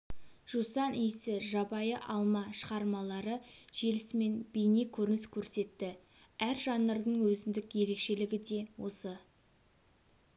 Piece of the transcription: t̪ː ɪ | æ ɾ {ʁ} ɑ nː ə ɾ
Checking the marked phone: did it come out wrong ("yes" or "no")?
yes